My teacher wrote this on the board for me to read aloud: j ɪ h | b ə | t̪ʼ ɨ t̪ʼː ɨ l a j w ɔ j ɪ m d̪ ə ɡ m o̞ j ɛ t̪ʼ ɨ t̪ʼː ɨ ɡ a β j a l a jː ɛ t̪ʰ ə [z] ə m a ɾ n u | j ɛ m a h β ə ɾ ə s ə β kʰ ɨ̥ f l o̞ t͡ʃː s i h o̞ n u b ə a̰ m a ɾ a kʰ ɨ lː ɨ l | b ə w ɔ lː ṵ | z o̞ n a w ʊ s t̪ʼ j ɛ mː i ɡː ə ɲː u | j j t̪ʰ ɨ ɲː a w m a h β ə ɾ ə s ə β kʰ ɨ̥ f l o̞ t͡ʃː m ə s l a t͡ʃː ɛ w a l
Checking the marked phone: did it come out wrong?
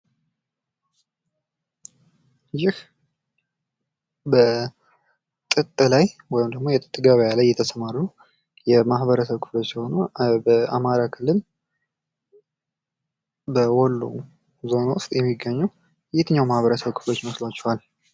yes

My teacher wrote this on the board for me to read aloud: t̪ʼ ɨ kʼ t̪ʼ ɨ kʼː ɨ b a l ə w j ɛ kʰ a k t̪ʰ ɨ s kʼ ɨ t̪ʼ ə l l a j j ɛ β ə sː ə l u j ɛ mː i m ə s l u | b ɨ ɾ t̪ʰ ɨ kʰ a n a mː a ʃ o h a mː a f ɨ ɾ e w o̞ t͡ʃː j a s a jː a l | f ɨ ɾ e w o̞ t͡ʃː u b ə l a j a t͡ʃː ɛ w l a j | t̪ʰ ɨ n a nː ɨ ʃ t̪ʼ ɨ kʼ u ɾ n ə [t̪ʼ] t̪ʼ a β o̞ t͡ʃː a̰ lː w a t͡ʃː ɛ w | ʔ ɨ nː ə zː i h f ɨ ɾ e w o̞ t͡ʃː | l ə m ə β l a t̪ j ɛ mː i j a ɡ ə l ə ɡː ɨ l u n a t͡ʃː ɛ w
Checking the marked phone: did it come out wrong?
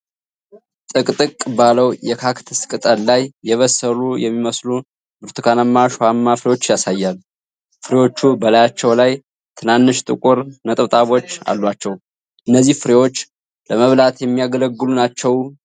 no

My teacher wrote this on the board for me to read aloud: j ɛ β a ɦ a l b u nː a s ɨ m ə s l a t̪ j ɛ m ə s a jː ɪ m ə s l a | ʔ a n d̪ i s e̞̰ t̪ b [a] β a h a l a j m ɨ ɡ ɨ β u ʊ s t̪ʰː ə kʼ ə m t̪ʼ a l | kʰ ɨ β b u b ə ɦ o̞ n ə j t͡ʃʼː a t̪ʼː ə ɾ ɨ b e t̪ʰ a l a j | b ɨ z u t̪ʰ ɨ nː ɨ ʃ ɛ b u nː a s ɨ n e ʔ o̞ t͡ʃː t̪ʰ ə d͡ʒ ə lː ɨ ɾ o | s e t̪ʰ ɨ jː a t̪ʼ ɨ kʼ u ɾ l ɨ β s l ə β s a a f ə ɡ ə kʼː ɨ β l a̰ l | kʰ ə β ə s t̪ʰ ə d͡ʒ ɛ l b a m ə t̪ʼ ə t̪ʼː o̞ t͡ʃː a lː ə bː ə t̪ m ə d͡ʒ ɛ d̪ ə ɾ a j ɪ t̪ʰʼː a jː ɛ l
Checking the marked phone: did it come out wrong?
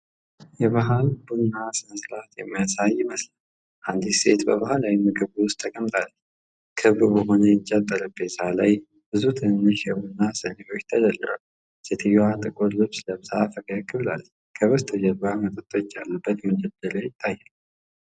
yes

